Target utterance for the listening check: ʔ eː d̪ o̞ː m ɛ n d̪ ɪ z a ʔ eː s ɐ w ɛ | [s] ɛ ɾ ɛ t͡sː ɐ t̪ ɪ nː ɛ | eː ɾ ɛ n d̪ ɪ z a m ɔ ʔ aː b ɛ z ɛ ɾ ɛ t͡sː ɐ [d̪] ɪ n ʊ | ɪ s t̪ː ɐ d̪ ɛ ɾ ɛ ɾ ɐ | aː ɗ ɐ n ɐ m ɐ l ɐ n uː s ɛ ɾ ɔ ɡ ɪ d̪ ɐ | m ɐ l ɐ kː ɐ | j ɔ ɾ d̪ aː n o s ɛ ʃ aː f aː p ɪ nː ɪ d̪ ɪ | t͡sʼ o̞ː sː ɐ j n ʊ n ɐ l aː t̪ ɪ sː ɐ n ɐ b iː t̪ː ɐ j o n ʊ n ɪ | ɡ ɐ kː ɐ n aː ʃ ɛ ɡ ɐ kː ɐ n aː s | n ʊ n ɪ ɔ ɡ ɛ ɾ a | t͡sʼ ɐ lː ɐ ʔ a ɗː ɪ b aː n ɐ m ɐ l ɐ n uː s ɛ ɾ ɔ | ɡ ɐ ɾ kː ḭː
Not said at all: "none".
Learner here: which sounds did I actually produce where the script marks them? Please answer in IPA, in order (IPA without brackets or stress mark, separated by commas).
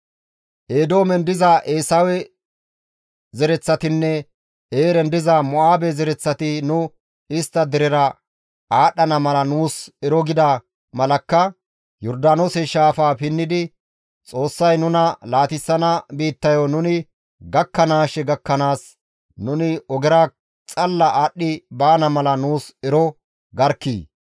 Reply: z, t̪